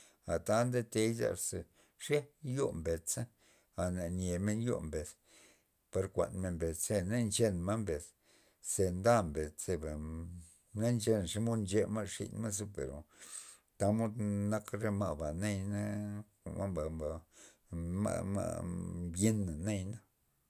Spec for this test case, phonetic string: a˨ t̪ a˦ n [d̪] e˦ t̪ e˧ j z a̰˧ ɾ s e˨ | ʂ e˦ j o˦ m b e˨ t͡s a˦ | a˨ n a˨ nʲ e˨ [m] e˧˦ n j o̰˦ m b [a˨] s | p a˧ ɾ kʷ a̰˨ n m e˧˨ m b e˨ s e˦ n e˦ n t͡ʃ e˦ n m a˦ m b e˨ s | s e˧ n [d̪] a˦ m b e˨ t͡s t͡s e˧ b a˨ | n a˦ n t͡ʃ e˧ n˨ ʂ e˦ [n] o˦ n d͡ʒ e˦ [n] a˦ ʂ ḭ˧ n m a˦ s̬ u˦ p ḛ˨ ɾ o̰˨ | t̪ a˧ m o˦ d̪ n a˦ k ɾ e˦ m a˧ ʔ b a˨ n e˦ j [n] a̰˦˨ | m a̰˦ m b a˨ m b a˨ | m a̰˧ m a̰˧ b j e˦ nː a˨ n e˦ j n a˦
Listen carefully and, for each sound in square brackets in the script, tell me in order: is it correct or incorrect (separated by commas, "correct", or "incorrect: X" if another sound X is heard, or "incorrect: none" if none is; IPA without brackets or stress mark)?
correct, correct, incorrect: e˨, correct, incorrect: m, incorrect: m, correct